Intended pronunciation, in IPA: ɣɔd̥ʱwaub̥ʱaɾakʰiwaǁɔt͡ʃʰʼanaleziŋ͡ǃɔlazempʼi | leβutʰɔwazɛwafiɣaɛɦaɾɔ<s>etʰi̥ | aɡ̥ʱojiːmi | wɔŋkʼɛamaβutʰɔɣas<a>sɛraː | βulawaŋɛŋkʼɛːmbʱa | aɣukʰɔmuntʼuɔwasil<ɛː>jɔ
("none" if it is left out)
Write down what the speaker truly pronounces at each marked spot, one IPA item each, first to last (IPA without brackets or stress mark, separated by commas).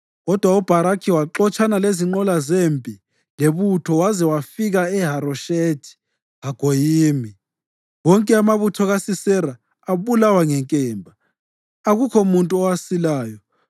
ʃ, i, aː